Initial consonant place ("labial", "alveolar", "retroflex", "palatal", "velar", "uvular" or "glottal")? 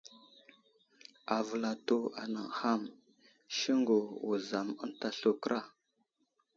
labial